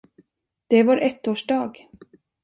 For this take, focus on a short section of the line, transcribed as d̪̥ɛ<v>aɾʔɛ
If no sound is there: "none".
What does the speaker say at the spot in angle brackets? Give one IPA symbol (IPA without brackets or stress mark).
v